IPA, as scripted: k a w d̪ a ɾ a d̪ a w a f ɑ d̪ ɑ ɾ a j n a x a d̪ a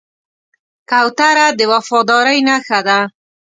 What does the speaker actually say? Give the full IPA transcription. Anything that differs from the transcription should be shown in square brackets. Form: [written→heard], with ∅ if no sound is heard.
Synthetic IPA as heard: k a w [d̪→t̪] a ɾ a d̪ [a→ə] w a f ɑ d̪ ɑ ɾ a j n a x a d̪ a